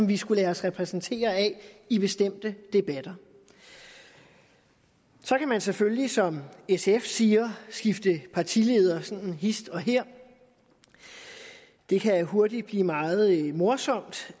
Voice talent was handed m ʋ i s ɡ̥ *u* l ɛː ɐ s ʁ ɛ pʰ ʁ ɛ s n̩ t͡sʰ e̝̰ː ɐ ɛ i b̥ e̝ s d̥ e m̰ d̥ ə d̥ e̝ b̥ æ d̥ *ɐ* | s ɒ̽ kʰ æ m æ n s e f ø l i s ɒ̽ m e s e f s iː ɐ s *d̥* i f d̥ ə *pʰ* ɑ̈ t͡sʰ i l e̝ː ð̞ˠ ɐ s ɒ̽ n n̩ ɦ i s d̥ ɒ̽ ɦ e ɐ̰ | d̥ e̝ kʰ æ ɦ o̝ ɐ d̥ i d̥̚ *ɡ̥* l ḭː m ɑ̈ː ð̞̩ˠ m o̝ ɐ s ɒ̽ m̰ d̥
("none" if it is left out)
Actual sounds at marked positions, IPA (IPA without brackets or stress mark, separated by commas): u, ɐ, ɡ̥, pʰ, b̥